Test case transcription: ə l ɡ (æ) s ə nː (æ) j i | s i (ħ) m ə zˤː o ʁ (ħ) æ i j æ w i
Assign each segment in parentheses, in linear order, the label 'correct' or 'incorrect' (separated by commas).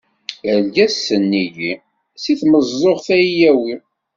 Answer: correct, incorrect, incorrect, incorrect